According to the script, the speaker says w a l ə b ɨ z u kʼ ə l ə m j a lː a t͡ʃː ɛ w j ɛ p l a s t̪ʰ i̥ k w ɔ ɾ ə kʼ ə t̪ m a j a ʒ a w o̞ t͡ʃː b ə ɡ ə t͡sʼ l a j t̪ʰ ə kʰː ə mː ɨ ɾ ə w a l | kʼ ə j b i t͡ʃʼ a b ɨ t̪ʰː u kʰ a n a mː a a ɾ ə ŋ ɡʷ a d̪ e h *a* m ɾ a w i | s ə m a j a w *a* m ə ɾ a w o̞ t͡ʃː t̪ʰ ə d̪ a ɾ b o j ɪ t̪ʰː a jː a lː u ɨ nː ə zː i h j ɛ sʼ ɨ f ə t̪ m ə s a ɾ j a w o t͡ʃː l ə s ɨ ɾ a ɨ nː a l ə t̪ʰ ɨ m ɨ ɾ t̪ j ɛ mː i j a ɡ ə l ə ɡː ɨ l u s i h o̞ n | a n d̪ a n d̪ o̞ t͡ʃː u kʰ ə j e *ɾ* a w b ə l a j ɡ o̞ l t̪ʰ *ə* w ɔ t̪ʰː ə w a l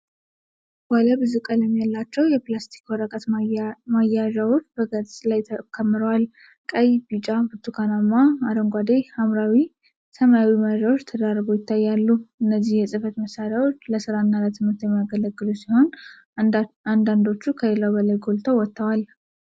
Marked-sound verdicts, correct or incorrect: correct, incorrect: i, incorrect: l, correct

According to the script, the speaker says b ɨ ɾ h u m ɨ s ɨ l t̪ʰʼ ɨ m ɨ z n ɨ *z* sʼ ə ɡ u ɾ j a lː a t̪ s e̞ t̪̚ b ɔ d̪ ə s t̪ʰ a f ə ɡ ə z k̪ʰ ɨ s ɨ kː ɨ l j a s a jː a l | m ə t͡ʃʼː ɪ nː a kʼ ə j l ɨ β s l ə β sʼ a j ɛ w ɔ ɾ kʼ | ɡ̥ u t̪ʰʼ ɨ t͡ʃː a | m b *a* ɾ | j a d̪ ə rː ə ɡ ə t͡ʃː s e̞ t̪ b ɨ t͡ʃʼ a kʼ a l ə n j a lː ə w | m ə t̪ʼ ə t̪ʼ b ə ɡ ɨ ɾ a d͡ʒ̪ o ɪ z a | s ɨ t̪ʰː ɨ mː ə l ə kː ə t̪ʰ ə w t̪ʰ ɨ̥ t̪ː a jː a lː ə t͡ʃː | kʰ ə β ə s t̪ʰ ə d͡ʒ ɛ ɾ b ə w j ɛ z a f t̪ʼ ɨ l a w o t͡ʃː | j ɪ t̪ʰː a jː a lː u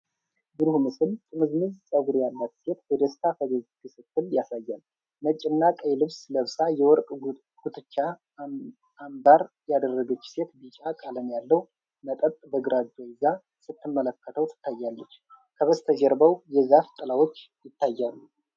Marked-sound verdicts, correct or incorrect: correct, correct

